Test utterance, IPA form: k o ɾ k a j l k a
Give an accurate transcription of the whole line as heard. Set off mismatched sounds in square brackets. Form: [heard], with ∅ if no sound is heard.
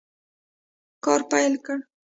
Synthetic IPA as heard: k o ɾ [p] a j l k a

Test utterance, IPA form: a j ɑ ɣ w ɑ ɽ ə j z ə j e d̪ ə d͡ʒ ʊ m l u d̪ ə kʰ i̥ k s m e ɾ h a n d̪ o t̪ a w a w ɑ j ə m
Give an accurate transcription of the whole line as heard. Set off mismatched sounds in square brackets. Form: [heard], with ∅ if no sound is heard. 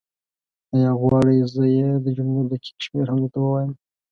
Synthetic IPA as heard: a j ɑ ɣ w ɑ ɽ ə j z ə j e d̪ ə d͡ʒ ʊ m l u d̪ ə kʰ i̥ k [ʃ] m e ɾ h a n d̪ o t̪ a w [ə] w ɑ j ə m

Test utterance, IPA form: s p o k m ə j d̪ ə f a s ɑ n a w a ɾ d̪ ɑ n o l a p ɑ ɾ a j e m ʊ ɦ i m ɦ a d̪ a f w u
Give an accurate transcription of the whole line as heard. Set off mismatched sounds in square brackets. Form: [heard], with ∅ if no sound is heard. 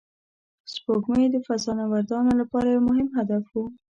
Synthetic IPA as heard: s p o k m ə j d̪ ə f a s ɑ n a w a ɾ d̪ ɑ n o l a p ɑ ɾ a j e m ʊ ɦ [ɪ] m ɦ a d̪ a f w u

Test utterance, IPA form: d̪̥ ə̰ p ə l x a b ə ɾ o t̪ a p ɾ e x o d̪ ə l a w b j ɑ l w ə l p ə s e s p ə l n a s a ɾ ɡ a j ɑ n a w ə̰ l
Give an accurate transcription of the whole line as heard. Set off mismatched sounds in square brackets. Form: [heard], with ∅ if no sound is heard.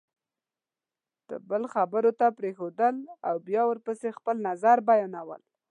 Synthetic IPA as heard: d̪̥ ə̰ [b] ə l x a b ə ɾ o t̪ a p ɾ e x o d̪ ə l a w b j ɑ [∅] w ə [ɾ] p ə s e [x] p ə l n a [z] a ɾ [b] a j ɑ n a w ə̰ l

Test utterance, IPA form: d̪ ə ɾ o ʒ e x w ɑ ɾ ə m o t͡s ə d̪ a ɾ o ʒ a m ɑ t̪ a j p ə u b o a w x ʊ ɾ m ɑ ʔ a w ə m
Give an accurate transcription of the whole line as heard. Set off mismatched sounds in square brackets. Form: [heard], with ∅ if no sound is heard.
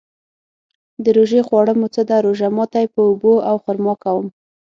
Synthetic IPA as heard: d̪ ə ɾ o ʒ e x w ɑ [ɽ] ə m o t͡s ə d̪ a ɾ o ʒ a m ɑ t̪ a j p ə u b o a w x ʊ ɾ m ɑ [k] a w ə m

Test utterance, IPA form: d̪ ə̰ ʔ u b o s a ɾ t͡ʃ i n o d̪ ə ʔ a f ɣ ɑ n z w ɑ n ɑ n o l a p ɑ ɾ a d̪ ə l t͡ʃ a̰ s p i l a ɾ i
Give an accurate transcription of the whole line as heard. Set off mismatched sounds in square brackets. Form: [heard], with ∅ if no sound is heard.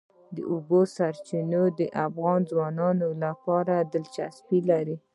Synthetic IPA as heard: d̪ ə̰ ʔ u b o s a ɾ t͡ʃ i n o d̪ ə ʔ a f ɣ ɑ n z w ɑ n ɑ n o l a p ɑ ɾ a d̪ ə l t͡ʃ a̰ s p i l a ɾ i

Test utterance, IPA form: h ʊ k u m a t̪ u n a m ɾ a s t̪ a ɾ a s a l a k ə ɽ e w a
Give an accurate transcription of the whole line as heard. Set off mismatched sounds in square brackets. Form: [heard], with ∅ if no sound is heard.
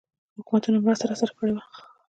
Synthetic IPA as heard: h ʊ k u m a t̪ u n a m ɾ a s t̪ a ɾ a s a [ɾ] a k ə ɽ e w a

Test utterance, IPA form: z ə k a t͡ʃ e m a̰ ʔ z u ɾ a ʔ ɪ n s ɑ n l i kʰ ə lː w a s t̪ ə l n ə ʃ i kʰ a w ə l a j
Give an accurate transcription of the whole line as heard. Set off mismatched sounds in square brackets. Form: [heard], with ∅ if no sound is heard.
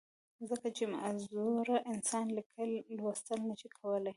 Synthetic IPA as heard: z ə k a t͡ʃ e m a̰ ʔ z u ɾ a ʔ ɪ n s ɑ n l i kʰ ə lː w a s t̪ ə l n ə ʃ i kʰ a w ə l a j

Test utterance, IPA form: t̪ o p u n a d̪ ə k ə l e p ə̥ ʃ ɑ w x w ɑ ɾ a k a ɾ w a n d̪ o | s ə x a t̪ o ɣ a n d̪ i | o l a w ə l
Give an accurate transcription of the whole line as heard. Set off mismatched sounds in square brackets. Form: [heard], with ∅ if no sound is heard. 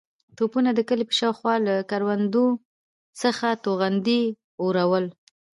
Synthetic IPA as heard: t̪ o p u n a d̪ ə k ə l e p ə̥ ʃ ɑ w x w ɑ [l] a k a ɾ w a n d̪ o | s ə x a t̪ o ɣ a n d̪ i | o [ɾ] a w ə l

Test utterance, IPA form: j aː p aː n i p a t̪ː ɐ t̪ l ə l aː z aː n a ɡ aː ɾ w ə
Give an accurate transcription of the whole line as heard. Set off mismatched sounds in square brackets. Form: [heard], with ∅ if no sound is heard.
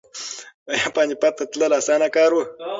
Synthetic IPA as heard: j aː p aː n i p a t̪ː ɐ t̪ l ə l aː [s] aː n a [k] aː ɾ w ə

